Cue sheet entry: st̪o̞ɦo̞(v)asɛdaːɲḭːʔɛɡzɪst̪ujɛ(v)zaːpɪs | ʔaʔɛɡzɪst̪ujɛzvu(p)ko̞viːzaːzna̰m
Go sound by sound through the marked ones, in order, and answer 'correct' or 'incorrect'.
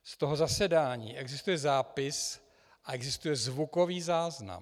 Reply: incorrect: z, incorrect: none, incorrect: none

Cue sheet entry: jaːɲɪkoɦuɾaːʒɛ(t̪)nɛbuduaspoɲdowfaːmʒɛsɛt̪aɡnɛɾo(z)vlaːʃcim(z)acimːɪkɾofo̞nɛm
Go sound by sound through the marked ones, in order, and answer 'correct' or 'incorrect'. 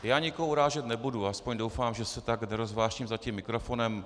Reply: correct, correct, correct

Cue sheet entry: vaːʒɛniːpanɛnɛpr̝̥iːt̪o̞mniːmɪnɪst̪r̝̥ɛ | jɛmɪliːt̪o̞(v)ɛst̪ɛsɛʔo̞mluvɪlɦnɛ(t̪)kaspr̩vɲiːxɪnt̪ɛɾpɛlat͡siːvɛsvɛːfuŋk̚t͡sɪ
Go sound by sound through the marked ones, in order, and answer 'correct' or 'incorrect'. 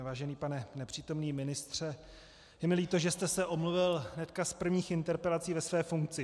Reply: incorrect: ʒ, correct

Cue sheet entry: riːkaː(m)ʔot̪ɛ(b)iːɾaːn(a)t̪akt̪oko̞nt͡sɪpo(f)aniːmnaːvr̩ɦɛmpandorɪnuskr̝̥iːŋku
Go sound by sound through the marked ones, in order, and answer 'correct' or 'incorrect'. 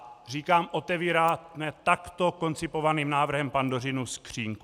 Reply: correct, incorrect: v, incorrect: ɛ, incorrect: v

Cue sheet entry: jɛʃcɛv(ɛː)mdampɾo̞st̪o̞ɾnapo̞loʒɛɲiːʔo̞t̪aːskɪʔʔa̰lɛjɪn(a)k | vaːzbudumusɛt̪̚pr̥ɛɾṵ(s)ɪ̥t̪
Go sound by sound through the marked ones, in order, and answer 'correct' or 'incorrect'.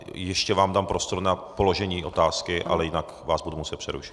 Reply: incorrect: aː, correct, incorrect: ʃ

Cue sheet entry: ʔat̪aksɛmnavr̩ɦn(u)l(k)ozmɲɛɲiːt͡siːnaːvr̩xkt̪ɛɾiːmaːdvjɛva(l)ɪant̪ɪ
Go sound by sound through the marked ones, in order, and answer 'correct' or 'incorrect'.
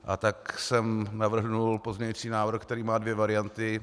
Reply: correct, incorrect: p, incorrect: ɾ

